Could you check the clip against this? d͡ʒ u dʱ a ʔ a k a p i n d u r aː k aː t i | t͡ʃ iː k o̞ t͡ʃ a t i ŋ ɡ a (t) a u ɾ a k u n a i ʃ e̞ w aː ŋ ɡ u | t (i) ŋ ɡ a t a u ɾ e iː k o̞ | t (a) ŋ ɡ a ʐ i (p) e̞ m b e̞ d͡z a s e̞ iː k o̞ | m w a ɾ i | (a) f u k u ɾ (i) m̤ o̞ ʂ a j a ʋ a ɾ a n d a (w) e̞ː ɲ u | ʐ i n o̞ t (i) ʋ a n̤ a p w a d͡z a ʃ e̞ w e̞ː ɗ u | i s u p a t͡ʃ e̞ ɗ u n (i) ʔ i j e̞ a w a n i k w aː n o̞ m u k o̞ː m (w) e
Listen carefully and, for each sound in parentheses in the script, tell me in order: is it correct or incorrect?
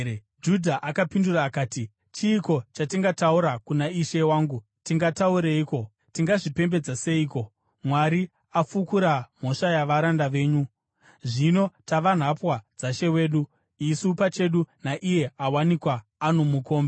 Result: correct, correct, incorrect, correct, correct, incorrect, incorrect, incorrect, incorrect, incorrect

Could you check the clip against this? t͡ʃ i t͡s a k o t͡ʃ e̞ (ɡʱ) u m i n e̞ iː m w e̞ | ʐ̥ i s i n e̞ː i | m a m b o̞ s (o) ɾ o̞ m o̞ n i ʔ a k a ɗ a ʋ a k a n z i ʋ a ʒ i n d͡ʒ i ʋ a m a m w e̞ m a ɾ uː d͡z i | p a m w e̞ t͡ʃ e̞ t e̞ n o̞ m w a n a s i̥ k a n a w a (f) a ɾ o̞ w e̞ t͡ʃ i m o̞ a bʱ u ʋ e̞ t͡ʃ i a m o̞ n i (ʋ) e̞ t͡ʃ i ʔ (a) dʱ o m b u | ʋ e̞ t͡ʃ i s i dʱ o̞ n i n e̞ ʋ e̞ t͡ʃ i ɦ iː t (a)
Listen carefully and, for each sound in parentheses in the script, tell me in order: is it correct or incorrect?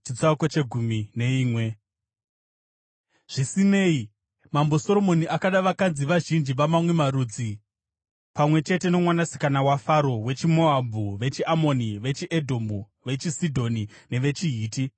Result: correct, correct, correct, correct, incorrect, incorrect

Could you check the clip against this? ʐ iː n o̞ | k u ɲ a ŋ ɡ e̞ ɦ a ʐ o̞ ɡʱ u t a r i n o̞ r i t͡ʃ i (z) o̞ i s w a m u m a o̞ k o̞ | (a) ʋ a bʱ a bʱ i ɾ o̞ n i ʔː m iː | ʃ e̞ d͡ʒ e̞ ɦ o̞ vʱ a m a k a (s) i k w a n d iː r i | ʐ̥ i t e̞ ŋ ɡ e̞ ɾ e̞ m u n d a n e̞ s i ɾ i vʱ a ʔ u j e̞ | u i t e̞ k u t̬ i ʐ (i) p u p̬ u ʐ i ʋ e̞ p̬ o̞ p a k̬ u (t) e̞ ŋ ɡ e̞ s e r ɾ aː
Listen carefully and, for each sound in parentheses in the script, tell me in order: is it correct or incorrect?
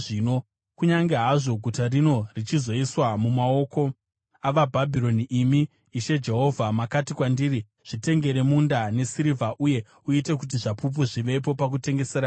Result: correct, correct, incorrect, incorrect, correct

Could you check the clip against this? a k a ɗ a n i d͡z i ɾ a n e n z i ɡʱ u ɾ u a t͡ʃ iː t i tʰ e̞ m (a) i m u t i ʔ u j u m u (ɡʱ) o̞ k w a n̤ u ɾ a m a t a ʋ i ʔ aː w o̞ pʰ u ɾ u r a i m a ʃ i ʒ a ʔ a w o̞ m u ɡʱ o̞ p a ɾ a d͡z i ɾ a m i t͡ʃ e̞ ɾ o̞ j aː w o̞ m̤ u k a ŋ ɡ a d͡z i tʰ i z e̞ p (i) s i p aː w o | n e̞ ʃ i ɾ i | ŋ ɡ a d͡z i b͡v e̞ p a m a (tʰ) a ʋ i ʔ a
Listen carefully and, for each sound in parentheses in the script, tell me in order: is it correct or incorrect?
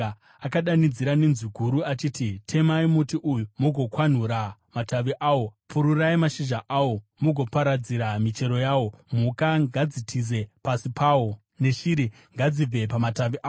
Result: correct, correct, incorrect, incorrect

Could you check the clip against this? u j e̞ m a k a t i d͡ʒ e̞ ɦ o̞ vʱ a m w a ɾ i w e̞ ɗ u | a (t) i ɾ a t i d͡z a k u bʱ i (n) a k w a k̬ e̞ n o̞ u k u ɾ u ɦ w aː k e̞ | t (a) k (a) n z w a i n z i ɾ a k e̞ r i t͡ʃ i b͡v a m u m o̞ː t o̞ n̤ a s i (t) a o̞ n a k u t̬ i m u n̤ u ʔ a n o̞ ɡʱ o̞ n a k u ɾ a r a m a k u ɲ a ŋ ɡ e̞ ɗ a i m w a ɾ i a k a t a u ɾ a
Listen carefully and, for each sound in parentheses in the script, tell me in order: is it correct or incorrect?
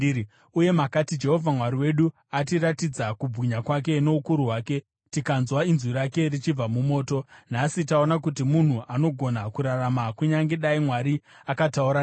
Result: correct, incorrect, incorrect, correct, correct

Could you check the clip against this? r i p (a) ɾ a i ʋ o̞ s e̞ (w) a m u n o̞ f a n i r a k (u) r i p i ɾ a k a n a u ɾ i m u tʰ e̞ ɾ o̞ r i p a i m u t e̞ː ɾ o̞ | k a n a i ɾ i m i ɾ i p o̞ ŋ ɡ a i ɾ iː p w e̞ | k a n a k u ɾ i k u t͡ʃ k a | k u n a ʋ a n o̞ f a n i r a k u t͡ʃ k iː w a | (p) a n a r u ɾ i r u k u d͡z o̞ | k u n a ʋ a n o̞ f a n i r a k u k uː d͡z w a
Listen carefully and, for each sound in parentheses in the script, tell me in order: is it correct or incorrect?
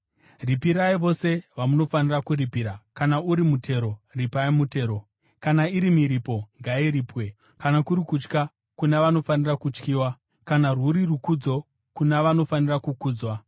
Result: incorrect, incorrect, correct, incorrect

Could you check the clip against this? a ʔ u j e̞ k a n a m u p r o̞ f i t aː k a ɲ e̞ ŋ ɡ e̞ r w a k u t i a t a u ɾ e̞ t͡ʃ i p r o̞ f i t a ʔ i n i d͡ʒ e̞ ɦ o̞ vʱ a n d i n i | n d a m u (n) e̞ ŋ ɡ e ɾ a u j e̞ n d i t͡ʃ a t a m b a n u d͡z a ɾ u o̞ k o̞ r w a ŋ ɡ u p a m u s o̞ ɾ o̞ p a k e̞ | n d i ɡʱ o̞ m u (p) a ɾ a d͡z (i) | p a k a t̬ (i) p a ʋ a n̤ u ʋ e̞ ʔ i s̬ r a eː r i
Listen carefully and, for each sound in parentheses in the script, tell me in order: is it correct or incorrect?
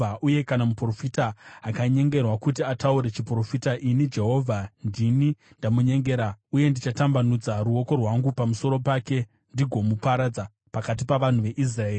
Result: incorrect, correct, incorrect, correct

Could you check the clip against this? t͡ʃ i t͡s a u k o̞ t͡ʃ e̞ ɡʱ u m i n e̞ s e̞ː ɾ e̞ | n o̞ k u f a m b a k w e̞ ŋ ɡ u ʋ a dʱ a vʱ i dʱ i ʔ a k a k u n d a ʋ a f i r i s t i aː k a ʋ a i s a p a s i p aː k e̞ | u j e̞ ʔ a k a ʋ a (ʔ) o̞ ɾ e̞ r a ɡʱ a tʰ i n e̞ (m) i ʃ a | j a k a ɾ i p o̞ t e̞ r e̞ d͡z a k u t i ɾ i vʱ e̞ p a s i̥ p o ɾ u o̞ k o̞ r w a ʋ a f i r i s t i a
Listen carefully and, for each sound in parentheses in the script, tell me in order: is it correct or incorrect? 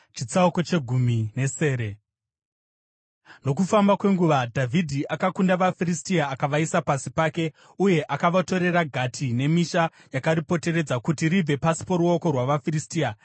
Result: incorrect, correct

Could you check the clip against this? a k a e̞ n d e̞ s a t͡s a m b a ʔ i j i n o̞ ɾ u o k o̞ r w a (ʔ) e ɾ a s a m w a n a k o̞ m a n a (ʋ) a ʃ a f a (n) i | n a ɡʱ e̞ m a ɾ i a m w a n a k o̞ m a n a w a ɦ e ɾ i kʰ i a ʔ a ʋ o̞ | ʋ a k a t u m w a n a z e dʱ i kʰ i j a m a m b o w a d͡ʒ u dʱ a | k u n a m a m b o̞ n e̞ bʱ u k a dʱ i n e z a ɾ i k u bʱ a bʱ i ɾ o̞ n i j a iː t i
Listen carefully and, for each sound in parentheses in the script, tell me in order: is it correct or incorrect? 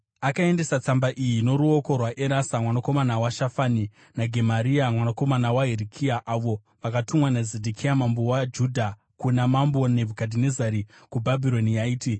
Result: correct, incorrect, correct

